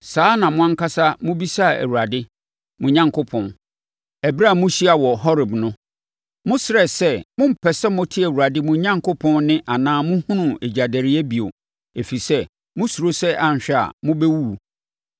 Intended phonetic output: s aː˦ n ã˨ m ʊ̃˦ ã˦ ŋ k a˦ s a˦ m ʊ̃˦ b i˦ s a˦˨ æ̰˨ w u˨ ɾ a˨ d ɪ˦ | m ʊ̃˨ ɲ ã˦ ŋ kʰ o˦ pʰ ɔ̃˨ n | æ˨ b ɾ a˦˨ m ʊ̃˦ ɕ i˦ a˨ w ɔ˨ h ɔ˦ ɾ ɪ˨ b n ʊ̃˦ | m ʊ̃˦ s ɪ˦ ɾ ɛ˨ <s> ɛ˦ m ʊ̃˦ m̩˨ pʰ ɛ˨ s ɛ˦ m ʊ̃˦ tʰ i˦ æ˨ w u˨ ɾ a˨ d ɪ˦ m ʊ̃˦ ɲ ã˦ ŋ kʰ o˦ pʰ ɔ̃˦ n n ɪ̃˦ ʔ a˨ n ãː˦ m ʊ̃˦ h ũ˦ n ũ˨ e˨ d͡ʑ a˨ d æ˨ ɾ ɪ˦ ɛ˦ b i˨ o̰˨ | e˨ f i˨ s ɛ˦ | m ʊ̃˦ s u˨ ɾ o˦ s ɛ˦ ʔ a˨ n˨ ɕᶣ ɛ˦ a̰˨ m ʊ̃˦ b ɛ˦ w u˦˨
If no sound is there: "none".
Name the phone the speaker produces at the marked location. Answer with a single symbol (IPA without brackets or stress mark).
s